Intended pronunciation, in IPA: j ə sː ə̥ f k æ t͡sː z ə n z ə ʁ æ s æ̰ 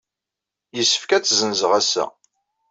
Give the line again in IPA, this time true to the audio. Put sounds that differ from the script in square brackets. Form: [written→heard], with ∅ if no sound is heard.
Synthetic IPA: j ə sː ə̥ f k æ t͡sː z ə n z ə ʁ æ s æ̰